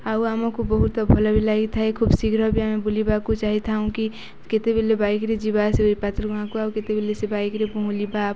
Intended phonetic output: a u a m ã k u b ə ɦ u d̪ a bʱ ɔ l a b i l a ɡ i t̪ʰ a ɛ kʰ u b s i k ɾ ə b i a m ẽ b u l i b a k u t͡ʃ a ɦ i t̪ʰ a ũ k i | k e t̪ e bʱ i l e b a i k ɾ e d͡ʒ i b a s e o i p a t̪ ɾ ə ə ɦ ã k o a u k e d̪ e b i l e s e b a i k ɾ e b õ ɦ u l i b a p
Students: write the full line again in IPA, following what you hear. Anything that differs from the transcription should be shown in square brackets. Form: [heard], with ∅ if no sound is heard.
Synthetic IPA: a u a m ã k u b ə ɦ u [t̪] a bʱ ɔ l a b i l a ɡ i t̪ʰ a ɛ kʰ u b s i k ɾ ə b i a m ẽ b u l i b a k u t͡ʃ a ɦ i t̪ʰ a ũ k i | k e t̪ e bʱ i l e b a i k ɾ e d͡ʒ i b a s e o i p a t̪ ɾ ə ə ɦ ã k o a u k e [t̪] e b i l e s e b a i k ɾ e b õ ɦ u l i b a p